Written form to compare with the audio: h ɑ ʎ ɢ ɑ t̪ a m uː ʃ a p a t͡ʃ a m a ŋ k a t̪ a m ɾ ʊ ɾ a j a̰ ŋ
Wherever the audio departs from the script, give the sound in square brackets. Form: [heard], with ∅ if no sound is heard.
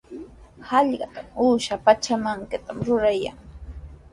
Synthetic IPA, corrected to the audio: h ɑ ʎ ɢ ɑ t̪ a m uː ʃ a p a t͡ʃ a m a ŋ k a t̪ a m ɾ ʊ ɾ a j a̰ ŋ